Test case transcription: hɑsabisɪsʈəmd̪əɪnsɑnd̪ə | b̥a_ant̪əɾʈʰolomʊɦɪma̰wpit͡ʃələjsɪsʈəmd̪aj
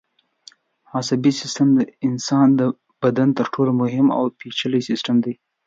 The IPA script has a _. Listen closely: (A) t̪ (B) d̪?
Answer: B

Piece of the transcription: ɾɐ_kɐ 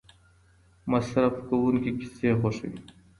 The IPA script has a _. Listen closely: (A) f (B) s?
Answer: A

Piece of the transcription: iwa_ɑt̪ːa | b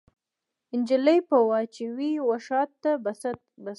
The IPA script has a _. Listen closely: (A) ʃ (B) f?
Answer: A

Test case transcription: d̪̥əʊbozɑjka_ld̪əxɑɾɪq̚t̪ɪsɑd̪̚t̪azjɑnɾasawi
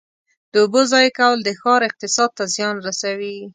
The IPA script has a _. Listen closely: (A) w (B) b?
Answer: A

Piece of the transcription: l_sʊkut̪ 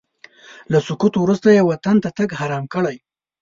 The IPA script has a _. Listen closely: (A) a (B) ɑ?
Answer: A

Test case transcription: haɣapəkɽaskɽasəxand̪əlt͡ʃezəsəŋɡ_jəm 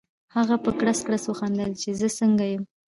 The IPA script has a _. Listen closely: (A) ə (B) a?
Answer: B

